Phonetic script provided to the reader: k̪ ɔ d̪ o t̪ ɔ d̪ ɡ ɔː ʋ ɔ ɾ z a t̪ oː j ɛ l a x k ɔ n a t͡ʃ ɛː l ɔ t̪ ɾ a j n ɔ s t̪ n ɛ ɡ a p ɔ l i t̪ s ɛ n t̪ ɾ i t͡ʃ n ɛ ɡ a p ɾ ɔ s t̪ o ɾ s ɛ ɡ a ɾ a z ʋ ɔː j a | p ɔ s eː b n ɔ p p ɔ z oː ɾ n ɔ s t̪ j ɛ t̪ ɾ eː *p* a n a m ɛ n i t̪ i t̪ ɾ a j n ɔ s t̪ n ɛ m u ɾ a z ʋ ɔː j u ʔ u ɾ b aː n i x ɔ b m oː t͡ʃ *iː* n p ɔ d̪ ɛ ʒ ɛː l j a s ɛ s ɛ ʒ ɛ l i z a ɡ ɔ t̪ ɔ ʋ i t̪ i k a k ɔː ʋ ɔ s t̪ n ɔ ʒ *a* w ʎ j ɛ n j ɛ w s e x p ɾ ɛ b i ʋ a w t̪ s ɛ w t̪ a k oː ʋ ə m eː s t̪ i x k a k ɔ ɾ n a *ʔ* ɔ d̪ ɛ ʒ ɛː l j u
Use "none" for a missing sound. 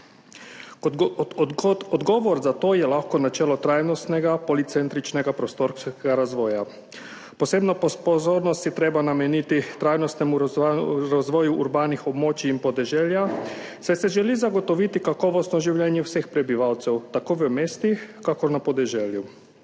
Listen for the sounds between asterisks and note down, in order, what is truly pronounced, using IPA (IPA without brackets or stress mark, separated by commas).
b, iː, i, p